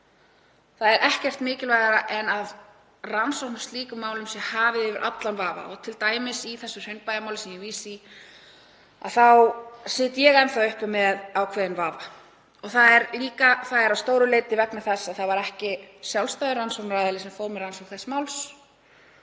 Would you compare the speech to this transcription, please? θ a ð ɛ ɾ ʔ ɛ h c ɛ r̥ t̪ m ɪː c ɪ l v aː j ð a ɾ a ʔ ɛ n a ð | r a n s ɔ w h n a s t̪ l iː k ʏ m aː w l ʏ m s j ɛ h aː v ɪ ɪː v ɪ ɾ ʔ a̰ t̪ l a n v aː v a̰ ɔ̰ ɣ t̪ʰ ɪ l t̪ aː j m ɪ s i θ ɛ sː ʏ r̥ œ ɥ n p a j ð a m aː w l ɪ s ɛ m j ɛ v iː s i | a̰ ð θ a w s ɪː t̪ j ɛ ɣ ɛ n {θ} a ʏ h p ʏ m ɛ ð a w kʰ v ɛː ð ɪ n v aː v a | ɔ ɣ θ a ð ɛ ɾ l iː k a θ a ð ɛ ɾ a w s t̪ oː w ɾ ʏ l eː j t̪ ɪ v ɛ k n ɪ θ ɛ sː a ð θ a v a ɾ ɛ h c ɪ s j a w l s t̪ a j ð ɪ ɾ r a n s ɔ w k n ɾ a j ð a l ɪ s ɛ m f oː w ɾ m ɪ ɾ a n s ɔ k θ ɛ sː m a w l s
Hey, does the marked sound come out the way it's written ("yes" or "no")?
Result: yes